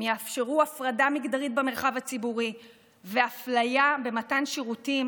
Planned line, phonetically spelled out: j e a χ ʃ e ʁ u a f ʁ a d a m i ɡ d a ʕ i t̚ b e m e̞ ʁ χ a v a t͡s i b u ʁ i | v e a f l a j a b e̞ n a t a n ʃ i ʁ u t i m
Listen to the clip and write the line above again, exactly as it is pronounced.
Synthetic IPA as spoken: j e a f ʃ e ʁ u a f ʁ a d a m i ɡ d a ʁ i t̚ b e m e̞ ʁ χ a v a t͡s i b u ʁ i | v e a f l a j a b e̞ m a t a n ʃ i ʁ u t i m

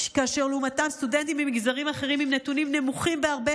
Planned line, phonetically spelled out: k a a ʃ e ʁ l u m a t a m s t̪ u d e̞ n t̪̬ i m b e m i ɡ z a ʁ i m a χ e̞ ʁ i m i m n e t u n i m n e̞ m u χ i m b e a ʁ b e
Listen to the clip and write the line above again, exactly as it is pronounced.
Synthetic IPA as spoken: k a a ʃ e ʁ l u m a t a m s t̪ u d e̞ n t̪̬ i m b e m i ɡ z a ʁ i m a χ e̞ ʁ i m i m n e t u n i m n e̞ m u χ i m b e a ʁ b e

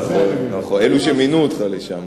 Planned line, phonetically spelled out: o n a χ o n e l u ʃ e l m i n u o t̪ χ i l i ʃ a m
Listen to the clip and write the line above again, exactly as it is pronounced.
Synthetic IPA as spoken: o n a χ o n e l u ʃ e m i n u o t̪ χ a l e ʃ a m

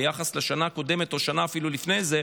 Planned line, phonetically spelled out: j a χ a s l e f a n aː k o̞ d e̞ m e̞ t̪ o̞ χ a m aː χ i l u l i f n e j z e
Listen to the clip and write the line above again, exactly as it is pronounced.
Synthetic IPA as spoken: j a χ a s l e ʃ a n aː k o̞ d e̞ m e̞ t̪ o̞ ʃ a n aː f i l u l i f n e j z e

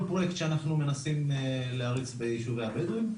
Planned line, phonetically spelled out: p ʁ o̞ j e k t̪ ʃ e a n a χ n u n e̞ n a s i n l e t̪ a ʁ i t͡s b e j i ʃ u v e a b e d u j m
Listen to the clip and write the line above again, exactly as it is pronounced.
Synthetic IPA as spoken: p ʁ o̞ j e k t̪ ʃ e a n a χ n u m e̞ n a s i m l e a ʁ i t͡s b e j i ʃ u v e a b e d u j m

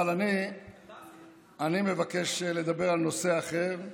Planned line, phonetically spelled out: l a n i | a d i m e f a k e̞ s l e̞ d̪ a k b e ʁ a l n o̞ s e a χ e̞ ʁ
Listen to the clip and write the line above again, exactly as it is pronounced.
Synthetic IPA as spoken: l a n i | a n i m e v a k e̞ ʃ l e̞ d̪ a b e ʁ a l n o̞ s e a χ e̞ ʁ

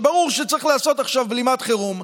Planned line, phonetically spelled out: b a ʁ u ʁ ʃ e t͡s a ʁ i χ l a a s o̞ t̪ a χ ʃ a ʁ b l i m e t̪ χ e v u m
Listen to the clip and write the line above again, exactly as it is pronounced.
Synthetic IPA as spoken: b a ʁ u ʁ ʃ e t͡s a ʁ i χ l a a s o̞ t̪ a χ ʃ a v b l i m a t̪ χ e ʁ u m

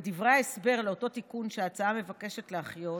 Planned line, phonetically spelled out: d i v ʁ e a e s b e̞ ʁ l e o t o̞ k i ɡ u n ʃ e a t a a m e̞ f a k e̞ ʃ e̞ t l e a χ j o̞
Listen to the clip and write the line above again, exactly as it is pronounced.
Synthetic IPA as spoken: d i v ʁ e a e s b e̞ ʁ l e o t o̞ t i k u n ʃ e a t͡s a a m e̞ v a k e̞ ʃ e̞ t l e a χ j o̞

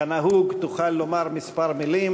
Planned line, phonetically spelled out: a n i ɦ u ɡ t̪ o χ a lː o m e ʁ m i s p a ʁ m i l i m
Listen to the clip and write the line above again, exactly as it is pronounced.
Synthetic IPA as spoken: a n a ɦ u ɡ t̪ u χ a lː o m a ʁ m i s p a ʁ m i l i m

